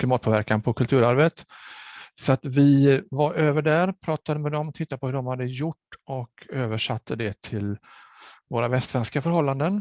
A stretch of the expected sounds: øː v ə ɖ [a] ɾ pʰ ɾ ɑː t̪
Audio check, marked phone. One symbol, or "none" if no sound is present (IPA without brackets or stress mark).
æ